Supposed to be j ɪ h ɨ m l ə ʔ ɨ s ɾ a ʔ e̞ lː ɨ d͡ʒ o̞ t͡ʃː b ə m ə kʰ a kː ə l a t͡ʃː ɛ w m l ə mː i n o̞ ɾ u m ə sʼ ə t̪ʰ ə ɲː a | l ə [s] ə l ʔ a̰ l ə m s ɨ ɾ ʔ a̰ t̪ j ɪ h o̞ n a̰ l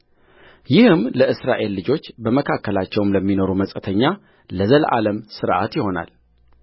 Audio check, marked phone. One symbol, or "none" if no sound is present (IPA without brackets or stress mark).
z